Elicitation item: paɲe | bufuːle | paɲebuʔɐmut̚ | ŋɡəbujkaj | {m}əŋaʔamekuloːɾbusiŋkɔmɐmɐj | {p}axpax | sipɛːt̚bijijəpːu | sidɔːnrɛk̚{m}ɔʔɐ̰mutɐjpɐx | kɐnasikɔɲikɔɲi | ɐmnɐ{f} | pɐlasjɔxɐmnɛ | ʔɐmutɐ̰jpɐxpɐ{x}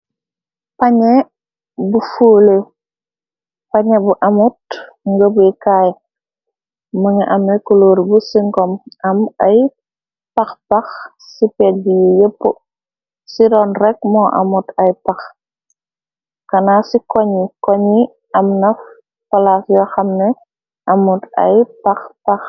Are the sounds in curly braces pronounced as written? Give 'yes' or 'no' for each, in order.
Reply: yes, yes, yes, yes, yes

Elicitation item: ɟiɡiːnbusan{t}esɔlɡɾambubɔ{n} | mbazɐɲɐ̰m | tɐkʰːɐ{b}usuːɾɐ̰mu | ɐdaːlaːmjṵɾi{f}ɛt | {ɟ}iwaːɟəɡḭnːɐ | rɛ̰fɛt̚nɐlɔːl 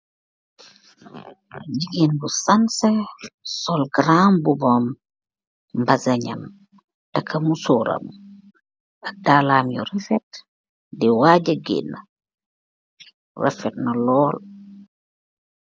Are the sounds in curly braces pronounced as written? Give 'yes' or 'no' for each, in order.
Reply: no, no, no, yes, no

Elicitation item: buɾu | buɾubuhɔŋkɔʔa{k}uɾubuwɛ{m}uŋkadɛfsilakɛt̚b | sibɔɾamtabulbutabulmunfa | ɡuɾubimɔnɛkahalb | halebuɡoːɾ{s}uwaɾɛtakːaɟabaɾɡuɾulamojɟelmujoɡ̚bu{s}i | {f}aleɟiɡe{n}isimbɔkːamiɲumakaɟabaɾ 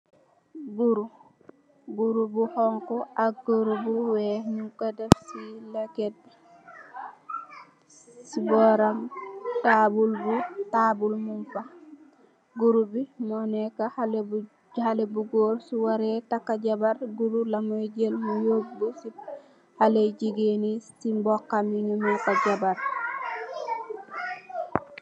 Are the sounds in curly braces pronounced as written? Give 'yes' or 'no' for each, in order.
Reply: no, no, yes, yes, no, yes

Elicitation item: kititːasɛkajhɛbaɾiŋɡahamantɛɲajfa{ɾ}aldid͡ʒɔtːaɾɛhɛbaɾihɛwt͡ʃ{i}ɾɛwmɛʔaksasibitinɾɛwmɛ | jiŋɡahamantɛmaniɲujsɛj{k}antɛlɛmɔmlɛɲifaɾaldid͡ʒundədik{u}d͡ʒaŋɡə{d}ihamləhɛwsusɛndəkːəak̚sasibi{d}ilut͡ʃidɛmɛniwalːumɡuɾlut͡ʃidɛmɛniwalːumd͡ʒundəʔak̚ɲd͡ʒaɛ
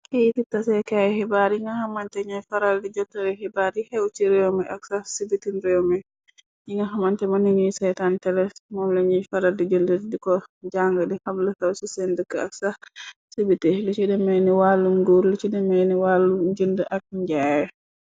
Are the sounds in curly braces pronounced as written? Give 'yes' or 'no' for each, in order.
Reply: yes, yes, no, no, yes, no

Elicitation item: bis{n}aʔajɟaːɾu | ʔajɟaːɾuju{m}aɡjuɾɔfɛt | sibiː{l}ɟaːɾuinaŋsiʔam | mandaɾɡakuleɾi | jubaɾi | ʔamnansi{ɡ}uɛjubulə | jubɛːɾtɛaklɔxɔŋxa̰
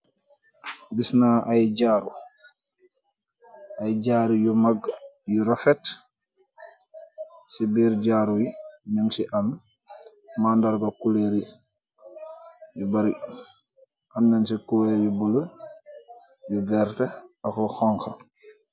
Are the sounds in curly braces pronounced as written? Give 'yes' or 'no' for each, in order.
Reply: yes, yes, no, no

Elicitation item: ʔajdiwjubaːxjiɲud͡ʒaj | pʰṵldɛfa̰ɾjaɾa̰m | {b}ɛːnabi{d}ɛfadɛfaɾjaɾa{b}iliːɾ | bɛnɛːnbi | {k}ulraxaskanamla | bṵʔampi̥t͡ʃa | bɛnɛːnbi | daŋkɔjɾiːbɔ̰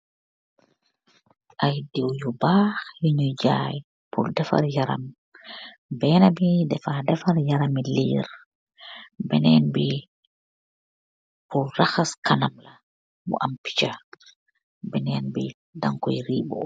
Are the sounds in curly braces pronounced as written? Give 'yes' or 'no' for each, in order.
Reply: yes, yes, no, no

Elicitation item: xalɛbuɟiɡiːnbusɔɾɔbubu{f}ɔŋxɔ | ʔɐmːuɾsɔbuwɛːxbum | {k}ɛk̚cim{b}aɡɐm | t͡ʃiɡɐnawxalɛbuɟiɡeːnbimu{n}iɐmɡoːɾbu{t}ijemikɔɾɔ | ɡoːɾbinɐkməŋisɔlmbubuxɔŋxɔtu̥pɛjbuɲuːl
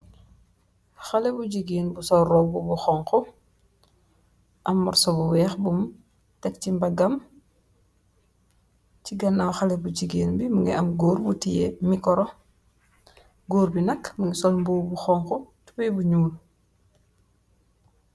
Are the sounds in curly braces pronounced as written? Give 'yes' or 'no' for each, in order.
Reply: no, no, yes, no, yes

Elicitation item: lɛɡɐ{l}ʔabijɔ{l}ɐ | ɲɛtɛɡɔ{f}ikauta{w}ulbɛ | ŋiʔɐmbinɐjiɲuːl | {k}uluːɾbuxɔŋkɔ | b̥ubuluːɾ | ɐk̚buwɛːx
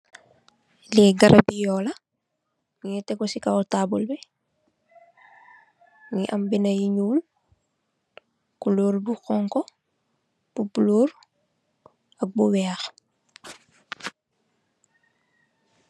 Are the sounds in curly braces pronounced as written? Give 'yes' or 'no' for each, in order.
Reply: no, yes, no, no, yes

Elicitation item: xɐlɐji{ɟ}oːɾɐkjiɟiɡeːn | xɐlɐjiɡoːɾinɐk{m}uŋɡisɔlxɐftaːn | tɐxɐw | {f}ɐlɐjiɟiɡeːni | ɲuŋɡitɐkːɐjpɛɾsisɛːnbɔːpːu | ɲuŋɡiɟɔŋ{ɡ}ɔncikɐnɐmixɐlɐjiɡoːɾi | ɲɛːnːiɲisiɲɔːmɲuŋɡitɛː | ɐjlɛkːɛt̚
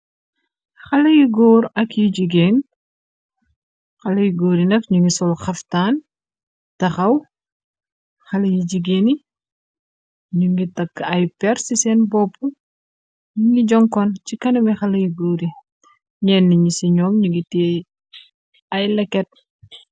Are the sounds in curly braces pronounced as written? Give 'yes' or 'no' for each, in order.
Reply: no, no, no, no

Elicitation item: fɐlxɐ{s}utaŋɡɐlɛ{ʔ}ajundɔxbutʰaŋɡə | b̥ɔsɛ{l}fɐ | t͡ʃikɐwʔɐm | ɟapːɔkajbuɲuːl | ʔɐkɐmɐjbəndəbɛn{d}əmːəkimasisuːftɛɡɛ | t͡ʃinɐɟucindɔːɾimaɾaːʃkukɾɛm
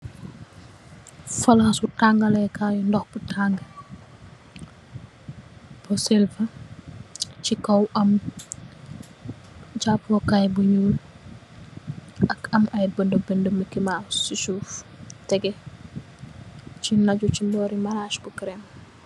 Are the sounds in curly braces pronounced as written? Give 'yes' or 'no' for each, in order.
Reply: yes, no, yes, yes

